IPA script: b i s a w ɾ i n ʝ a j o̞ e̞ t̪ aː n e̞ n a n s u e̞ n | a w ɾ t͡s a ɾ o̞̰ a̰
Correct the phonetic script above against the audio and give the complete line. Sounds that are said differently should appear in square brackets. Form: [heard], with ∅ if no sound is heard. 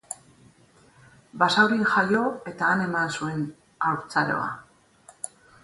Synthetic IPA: b [a] s a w ɾ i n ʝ a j o̞ e̞ t̪ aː n e̞ [m] a n s u e̞ n | a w ɾ t͡s a ɾ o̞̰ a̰